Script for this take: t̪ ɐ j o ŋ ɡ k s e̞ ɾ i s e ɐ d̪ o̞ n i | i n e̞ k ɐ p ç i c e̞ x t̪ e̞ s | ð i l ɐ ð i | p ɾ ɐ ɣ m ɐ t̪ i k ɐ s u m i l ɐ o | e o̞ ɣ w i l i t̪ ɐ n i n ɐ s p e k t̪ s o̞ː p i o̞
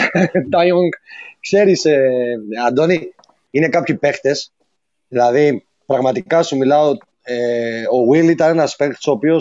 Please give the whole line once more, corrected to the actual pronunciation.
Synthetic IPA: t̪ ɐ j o ŋ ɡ k s e̞ ɾ i s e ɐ d̪ o̞ n i | i n e̞ k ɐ p ç i p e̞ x t̪ e̞ s | ð i l ɐ ð i | p ɾ ɐ ɣ m ɐ t̪ i k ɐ s u m i l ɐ o | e o̞ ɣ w i l i t̪ ɐ n e n ɐ s p e k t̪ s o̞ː p i o̞